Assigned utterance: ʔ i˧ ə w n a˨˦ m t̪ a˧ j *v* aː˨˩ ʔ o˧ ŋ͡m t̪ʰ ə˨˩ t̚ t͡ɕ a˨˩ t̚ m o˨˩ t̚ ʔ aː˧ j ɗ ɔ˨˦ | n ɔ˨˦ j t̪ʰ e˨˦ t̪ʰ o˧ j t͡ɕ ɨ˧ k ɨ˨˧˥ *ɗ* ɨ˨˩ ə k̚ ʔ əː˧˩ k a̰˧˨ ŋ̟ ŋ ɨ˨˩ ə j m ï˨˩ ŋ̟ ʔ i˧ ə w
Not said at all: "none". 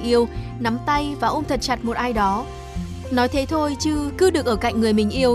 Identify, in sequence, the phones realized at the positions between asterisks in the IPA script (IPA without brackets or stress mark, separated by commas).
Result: v, ɗ